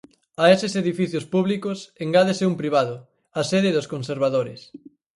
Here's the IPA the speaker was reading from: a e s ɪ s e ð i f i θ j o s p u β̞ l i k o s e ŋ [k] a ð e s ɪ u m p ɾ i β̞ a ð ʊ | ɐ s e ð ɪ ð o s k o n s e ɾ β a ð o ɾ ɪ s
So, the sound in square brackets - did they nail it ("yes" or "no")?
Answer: no